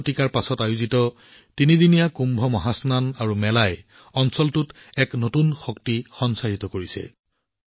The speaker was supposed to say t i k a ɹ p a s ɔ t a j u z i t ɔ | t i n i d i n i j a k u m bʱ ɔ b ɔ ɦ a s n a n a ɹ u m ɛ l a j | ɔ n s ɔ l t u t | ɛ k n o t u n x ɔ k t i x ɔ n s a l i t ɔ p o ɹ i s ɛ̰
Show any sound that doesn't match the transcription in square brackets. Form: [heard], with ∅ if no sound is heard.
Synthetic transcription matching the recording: t i k a ɹ p a s ɔ t a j u z i t ɔ | t i n i d i n i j a k u m bʱ ɔ [m] ɔ ɦ a s n a n a ɹ u m ɛ l a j | ɔ n s ɔ l t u t | ɛ k n o t u n x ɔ k t i x ɔ n s a [ɹ] i t ɔ [k] o ɹ i s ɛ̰